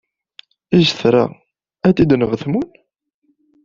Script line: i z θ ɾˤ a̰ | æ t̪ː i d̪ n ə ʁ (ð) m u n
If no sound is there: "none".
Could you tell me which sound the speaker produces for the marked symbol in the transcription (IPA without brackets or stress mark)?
θ